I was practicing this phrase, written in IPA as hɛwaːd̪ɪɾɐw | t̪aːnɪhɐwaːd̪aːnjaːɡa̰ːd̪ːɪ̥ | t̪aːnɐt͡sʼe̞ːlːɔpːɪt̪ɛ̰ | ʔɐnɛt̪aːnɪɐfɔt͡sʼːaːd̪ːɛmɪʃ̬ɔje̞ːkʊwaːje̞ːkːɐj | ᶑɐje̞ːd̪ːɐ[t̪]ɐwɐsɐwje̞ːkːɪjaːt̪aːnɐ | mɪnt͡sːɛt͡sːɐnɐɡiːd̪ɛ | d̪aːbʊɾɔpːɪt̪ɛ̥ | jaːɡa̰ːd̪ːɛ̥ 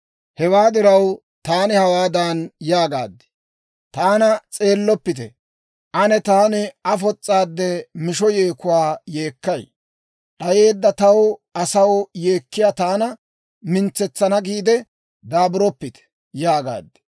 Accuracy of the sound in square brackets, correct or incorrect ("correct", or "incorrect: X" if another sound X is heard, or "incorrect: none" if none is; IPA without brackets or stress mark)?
correct